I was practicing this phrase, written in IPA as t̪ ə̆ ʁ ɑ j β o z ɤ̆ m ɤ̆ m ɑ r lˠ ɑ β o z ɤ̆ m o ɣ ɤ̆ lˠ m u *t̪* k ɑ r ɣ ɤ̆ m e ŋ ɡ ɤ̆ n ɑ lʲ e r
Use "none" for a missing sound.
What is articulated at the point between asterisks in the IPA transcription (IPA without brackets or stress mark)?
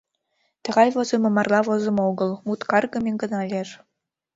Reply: t̪